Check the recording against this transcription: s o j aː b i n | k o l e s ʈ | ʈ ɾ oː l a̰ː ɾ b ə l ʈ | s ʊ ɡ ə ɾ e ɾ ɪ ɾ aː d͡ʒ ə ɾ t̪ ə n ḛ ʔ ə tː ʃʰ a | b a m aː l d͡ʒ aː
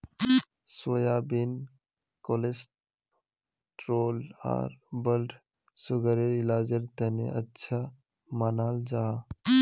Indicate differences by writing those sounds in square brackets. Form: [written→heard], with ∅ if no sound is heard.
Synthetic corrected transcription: s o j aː b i n | k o l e s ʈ | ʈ ɾ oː l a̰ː ɾ b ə l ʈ | s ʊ ɡ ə ɾ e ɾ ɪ [ɾ→l] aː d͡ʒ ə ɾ t̪ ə n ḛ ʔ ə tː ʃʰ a | [b→m] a [m→n] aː l d͡ʒ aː